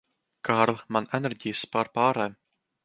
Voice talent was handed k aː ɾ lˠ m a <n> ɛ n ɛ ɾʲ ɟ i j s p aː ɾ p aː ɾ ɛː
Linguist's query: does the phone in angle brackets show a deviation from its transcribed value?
no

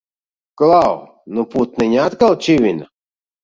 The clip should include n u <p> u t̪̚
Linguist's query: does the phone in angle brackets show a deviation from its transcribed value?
no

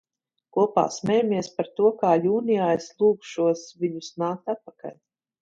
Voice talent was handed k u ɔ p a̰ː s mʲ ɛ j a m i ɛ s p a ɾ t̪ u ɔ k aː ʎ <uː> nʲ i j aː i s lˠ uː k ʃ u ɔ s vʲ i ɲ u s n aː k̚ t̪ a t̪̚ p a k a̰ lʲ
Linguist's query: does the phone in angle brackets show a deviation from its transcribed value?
no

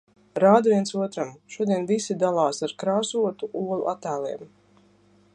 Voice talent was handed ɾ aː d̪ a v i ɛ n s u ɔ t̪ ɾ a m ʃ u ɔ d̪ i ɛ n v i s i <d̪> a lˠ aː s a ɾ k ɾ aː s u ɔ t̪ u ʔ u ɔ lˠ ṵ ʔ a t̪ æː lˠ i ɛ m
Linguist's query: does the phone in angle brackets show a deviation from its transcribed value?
no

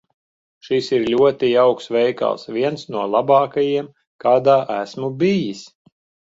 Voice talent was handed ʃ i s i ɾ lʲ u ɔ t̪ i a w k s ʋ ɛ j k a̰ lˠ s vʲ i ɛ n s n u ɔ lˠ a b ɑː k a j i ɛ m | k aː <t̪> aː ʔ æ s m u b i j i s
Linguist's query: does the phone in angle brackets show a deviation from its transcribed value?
yes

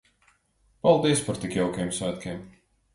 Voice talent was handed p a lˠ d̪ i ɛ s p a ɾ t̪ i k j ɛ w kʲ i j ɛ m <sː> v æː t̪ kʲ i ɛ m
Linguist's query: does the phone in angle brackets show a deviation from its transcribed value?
yes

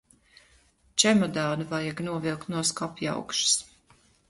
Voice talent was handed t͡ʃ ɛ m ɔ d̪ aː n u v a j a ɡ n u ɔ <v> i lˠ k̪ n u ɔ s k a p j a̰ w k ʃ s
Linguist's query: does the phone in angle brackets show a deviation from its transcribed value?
no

